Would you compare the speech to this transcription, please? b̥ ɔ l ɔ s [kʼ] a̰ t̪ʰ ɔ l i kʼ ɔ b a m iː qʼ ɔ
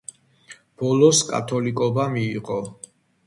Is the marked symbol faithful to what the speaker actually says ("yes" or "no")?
yes